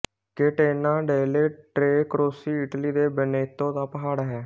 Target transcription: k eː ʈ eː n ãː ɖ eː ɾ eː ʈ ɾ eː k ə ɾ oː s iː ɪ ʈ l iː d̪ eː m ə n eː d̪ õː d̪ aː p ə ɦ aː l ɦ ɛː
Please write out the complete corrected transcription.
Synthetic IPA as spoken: k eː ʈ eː n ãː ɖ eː l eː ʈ ɾ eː k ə ɾ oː s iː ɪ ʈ l iː d̪ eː b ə n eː t̪ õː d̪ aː p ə ɦ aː ɽ ɦ ɛː